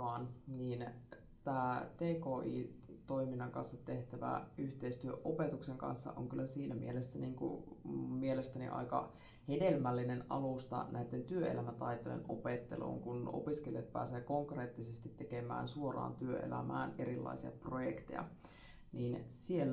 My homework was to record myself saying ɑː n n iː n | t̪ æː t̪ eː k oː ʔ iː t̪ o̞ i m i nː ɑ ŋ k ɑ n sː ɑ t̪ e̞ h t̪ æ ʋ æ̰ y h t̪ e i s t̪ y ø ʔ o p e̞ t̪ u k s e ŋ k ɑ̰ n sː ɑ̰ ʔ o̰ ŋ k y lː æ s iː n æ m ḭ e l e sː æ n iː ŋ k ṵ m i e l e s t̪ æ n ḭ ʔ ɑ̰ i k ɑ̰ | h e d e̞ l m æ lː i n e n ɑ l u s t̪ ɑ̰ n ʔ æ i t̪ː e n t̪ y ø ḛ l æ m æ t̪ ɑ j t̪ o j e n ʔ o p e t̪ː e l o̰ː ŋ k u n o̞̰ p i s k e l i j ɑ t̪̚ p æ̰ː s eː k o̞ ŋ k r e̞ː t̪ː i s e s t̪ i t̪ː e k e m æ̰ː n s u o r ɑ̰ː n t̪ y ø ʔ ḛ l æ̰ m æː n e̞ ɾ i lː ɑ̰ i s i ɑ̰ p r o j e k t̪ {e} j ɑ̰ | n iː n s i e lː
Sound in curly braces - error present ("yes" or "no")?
no